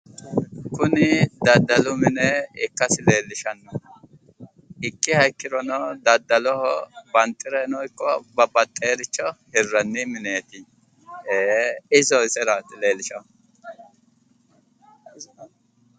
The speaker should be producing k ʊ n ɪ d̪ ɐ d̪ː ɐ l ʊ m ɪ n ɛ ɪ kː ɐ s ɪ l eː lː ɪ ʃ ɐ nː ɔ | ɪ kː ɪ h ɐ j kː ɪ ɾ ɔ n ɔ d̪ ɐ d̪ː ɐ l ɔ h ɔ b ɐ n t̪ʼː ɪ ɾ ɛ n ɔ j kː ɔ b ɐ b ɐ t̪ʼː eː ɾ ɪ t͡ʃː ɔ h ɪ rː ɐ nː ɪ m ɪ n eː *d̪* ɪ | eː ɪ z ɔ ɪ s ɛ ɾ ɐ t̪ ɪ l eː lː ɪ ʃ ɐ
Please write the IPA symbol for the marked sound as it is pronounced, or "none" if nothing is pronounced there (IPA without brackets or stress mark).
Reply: t̪